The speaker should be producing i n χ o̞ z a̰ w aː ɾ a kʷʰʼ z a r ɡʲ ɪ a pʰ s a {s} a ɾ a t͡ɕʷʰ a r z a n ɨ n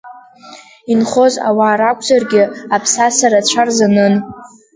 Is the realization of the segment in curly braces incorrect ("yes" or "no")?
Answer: no